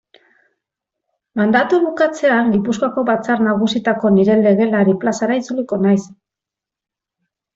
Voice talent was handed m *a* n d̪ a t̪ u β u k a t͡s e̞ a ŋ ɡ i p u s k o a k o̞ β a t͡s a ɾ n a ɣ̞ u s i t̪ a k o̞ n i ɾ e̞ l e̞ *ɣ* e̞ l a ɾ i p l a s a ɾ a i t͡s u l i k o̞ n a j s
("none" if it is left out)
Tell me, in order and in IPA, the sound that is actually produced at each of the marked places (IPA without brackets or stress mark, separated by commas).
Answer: a, ɣ